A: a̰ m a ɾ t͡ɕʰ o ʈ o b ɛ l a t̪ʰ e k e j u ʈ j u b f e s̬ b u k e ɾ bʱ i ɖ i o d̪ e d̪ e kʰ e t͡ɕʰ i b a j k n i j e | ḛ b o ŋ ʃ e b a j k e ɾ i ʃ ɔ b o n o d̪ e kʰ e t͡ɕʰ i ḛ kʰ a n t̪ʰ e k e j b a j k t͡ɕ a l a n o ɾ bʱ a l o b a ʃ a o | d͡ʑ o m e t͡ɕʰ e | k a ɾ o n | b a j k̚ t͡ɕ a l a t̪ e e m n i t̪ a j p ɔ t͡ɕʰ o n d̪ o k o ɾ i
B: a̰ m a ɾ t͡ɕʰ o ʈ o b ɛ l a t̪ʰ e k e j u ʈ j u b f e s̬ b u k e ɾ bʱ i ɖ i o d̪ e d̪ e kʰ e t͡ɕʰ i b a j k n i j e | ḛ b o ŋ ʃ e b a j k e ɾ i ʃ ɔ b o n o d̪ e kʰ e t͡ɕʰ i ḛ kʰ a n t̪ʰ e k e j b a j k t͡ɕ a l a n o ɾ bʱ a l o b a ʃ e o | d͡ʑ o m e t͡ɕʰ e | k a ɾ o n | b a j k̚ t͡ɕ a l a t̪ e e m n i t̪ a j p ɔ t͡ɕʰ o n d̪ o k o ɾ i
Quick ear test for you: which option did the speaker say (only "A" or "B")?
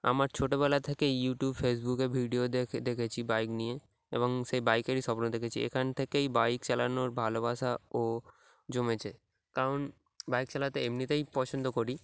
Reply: A